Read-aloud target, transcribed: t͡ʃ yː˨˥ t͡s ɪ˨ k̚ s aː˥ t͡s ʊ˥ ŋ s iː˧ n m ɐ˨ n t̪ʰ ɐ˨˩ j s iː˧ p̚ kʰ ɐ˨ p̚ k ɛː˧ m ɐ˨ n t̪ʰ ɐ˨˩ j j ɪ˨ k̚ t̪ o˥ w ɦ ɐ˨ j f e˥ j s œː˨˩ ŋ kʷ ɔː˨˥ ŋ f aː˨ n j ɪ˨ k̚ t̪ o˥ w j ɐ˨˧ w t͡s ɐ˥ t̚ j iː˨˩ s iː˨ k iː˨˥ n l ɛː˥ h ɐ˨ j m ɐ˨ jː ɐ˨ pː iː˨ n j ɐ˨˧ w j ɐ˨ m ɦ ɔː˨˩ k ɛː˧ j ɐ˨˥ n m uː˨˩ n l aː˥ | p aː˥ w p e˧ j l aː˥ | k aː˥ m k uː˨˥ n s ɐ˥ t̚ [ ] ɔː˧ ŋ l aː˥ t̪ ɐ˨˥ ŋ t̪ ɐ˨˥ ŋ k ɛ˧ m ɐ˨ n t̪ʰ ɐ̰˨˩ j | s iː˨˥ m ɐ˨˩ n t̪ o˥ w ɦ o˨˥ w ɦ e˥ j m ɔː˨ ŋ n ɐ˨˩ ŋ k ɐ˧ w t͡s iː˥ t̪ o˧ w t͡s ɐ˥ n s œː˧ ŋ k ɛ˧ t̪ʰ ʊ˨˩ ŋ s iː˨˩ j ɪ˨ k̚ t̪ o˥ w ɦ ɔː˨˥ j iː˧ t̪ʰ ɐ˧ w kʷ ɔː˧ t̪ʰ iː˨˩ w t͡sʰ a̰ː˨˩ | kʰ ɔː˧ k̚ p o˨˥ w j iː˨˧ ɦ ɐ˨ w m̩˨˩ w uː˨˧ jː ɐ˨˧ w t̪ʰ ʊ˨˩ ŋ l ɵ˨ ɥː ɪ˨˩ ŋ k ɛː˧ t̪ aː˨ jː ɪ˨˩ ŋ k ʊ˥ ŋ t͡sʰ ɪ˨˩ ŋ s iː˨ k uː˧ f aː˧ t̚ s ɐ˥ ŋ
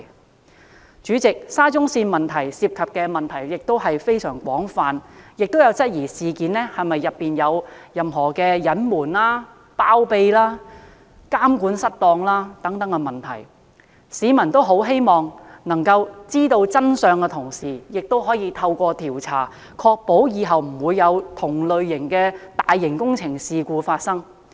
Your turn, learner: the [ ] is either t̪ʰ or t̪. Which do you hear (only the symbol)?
t̪